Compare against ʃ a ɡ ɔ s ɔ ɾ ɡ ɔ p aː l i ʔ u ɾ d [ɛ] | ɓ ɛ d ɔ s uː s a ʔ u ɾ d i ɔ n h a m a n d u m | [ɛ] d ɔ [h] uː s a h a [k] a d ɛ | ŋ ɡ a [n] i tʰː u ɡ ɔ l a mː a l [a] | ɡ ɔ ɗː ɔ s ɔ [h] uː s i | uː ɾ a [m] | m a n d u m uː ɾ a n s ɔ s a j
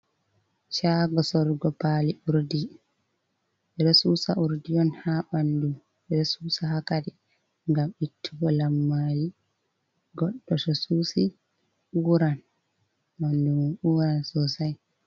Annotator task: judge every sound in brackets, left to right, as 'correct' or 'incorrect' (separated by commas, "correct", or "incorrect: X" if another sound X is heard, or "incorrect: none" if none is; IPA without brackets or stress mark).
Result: incorrect: i, correct, incorrect: s, correct, incorrect: m, incorrect: i, incorrect: s, incorrect: n